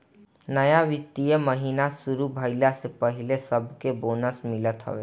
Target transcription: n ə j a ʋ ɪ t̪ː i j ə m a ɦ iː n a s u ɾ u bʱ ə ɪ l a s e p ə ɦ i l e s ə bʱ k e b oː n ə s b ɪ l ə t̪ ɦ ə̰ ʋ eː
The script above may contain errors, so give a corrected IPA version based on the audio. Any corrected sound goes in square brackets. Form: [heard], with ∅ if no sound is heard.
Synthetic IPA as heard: n ə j a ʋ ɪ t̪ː i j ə m [ə] ɦ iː n a s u ɾ u bʱ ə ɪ l a s e p ə ɦ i l e s ə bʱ k e b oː n ə s [m] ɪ l ə t̪ ɦ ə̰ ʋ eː